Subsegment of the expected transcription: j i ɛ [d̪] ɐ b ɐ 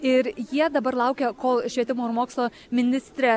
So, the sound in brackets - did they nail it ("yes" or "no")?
yes